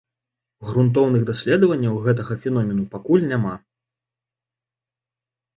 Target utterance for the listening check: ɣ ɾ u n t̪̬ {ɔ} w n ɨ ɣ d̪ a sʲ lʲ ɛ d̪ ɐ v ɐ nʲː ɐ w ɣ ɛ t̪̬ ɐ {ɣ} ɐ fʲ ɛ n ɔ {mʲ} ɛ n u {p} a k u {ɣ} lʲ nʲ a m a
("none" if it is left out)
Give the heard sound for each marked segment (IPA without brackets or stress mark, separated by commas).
ɔ, ɣ, mʲ, p, none